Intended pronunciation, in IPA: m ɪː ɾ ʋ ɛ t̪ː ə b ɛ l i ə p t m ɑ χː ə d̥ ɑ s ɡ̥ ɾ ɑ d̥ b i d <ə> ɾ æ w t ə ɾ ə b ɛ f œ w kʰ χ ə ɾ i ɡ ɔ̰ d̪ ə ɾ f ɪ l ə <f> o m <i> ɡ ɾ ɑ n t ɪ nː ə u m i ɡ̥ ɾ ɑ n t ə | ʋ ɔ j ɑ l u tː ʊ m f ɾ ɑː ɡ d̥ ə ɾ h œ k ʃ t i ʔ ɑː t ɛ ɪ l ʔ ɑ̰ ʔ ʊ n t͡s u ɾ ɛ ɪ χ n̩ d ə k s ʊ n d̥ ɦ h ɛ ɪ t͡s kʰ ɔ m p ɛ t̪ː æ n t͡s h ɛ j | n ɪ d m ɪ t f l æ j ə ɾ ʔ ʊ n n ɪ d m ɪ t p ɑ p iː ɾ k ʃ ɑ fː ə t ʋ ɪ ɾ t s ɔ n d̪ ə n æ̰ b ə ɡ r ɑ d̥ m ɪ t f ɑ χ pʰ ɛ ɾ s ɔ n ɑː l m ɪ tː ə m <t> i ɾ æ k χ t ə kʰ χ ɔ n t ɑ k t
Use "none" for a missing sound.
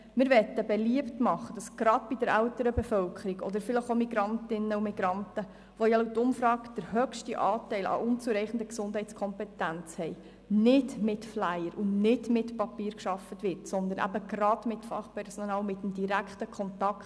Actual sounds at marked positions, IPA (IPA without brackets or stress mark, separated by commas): ə, χ, i, d